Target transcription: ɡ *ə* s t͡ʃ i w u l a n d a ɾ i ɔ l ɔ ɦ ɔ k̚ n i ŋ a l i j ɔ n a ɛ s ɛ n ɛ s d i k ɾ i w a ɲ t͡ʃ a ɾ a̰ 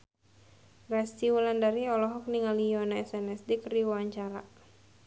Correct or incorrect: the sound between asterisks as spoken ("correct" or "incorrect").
incorrect